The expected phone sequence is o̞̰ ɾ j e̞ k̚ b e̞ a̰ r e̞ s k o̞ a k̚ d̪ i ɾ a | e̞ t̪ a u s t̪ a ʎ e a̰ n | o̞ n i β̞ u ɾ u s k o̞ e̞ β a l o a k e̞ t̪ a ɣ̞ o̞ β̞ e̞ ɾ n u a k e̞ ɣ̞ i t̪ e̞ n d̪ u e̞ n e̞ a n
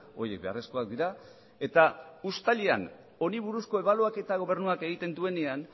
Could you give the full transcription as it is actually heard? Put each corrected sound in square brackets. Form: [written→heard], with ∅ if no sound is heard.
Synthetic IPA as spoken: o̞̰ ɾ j e̞ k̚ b e̞ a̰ r e̞ s k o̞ a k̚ d̪ i ɾ a | e̞ t̪ a u s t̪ a ʎ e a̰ n | o̞ n i β̞ u ɾ u s k o̞ e̞ β a l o a k e̞ t̪ a ɣ̞ o̞ β̞ e̞ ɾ n u a k e̞ ɣ̞ i t̪ e̞ n d̪ u e̞ n e̞ a n